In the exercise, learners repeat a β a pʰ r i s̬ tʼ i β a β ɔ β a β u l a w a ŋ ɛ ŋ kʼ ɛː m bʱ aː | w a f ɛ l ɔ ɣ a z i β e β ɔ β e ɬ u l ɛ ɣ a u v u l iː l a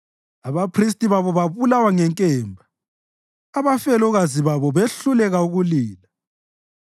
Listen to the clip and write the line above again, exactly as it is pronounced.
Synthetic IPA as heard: a β a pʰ r i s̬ tʼ i β a β ɔ β a β u l a w a ŋ ɛ ŋ kʼ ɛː m bʱ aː | β a f ɛ l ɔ ɣ a z i β a β ɔ β e ɬ u l ɛ ɣ a u ɣ u l iː l a